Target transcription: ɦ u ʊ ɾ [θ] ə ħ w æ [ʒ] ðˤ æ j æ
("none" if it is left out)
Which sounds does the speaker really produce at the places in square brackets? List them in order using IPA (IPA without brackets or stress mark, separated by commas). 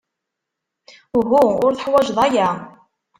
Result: θ, ʒ